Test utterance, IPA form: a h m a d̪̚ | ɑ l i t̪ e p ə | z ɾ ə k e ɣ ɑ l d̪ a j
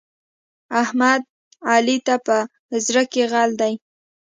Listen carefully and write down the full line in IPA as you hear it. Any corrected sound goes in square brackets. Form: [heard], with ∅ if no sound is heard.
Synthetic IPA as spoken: a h m a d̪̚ | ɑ l i t̪ [a] p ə | z ɾ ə k e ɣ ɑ l d̪ a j